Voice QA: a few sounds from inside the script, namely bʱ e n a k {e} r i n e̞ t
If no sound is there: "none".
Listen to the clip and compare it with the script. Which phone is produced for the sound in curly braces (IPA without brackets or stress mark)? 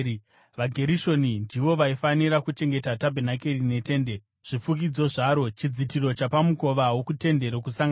e